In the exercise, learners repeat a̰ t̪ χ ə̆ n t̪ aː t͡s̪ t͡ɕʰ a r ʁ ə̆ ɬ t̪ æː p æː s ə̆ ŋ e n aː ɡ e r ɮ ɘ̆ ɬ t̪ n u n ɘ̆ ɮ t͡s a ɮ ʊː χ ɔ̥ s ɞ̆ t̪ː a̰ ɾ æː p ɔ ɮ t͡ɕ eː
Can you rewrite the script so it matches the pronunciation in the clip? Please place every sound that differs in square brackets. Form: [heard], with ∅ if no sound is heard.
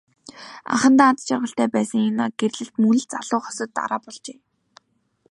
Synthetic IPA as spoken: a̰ [∅] χ ə̆ n t̪ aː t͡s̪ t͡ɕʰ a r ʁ ə̆ ɬ t̪ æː p æː s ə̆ ŋ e n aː ɡ e r ɮ ɘ̆ ɬ t̪ [m] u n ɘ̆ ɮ t͡s a ɮ ʊː χ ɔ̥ s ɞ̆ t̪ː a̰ ɾ [aː] p ɔ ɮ t͡ɕ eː